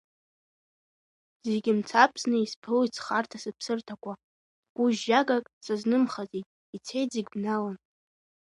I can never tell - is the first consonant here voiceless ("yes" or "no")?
no